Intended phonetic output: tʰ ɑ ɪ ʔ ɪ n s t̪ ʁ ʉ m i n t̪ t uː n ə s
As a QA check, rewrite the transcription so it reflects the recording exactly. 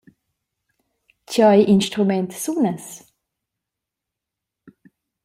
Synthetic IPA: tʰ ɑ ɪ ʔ ɪ n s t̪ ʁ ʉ m ɛ n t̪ s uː n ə s